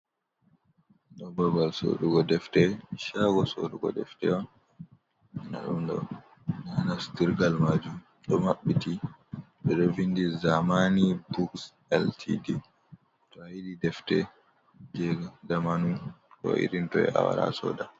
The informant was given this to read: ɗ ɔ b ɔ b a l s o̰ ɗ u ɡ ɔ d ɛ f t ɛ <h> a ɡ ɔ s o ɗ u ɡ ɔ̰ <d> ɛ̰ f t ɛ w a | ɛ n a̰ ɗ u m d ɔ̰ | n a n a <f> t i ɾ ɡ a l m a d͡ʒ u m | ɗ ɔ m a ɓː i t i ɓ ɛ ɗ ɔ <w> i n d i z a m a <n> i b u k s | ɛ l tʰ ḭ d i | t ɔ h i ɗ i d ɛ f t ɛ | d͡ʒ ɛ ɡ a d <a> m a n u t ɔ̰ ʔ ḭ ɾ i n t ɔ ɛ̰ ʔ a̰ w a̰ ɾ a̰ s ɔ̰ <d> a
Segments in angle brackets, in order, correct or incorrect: incorrect: ʃ, correct, incorrect: s, incorrect: v, correct, correct, correct

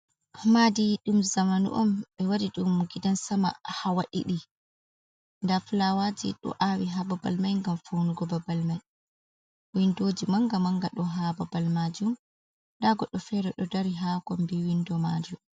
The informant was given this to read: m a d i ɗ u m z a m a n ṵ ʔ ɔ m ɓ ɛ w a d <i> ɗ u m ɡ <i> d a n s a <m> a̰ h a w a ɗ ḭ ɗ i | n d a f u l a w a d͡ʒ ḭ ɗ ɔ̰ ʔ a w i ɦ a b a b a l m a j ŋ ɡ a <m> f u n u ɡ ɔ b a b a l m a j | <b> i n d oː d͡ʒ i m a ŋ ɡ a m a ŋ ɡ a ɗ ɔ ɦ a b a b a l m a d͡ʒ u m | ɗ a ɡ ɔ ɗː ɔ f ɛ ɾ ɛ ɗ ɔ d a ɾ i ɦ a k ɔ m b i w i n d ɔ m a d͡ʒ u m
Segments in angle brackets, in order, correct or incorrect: correct, correct, correct, correct, incorrect: w

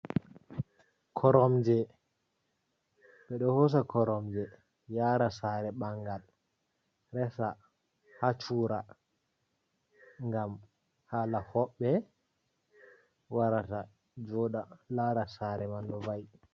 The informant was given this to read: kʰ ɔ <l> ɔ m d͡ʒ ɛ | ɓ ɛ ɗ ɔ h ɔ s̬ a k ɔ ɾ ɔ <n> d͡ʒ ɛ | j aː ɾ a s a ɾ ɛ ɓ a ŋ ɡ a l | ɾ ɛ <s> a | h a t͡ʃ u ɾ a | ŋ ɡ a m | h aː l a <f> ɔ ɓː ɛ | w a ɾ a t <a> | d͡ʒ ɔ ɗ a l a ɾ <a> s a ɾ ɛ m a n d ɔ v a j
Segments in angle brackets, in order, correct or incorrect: incorrect: ɾ, incorrect: m, correct, incorrect: h, correct, correct

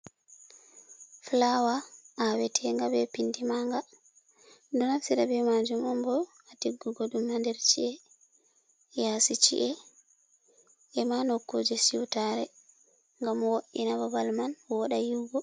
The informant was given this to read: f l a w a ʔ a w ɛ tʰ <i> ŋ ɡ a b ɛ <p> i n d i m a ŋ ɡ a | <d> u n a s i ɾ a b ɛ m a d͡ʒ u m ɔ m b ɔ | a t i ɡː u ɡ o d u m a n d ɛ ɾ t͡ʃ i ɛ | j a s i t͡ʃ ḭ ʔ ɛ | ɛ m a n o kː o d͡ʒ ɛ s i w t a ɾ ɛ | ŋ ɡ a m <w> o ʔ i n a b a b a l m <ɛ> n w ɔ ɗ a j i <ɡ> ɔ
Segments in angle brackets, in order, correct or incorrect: incorrect: ɛ, correct, correct, correct, incorrect: a, correct

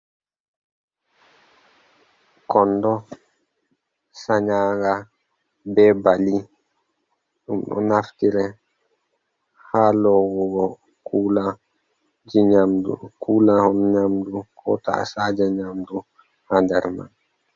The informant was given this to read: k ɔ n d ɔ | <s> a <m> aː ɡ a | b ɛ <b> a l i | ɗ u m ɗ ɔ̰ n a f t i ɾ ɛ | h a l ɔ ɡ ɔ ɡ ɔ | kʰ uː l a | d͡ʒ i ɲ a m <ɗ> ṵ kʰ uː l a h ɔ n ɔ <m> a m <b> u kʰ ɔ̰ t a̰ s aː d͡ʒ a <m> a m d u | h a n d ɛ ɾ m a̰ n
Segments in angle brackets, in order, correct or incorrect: correct, incorrect: ɲ, correct, incorrect: d, incorrect: ɲ, incorrect: d, incorrect: ɲ

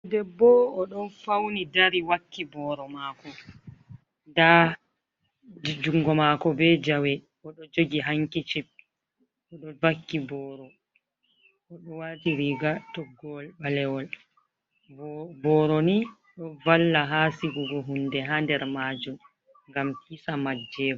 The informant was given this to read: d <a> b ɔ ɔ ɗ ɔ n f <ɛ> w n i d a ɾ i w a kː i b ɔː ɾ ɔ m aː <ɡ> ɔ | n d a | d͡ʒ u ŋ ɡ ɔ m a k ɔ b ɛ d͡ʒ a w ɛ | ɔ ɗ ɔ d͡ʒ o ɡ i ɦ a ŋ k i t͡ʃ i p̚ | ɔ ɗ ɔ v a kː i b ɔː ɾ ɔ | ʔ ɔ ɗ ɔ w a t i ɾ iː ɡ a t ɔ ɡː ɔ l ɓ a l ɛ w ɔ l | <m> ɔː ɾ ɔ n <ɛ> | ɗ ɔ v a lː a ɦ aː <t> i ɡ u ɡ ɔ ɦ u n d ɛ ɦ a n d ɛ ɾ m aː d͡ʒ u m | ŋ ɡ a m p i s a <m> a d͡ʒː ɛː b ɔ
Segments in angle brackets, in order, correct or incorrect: incorrect: ɛ, incorrect: a, incorrect: k, incorrect: b, incorrect: i, incorrect: s, correct

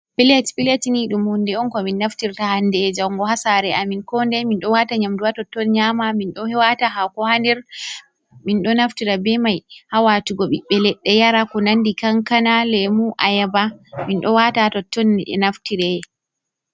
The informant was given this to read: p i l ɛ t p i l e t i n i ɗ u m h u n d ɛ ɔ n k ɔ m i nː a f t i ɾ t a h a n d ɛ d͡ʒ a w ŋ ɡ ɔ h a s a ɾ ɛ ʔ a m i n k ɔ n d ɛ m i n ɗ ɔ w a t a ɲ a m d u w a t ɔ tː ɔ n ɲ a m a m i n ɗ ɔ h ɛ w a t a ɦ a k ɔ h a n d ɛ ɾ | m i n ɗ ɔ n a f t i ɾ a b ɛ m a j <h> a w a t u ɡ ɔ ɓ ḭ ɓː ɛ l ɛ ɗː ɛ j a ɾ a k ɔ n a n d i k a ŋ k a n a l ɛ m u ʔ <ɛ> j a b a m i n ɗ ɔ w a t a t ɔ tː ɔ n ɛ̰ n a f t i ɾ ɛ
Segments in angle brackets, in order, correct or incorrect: correct, incorrect: a

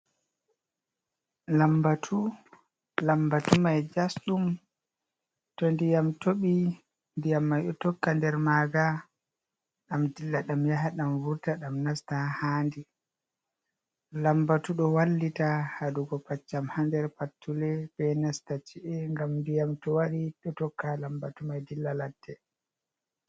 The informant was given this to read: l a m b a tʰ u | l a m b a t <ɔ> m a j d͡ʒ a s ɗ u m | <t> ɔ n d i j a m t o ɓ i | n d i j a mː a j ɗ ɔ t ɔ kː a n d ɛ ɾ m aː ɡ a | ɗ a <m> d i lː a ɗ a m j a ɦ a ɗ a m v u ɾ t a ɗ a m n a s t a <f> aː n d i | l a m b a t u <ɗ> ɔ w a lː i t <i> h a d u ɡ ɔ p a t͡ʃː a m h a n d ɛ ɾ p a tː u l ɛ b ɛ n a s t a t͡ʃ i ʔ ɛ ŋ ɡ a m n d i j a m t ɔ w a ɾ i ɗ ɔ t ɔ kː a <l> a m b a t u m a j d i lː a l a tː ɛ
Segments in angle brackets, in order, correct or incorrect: incorrect: u, correct, correct, incorrect: h, correct, incorrect: a, correct

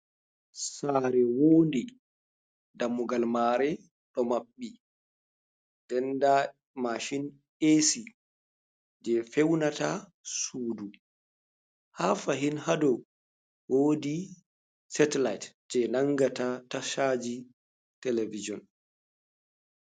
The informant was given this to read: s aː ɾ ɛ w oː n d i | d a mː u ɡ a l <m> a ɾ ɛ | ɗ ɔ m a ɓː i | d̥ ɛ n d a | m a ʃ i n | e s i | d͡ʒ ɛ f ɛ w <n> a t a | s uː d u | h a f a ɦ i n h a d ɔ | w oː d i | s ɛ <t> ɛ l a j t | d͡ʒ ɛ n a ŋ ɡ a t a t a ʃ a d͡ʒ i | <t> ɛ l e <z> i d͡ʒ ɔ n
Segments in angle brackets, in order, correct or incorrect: correct, correct, correct, correct, incorrect: v

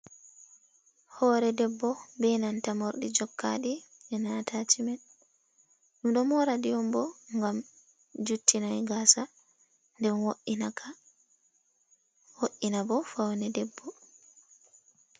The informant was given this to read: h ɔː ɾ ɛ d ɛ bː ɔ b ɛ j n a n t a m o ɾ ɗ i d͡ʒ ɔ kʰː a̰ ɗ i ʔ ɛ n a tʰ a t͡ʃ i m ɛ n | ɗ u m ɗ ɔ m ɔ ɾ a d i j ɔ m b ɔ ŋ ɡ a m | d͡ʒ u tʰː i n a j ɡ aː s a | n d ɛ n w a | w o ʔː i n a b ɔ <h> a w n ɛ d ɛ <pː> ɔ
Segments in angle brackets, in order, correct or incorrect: incorrect: f, incorrect: bː

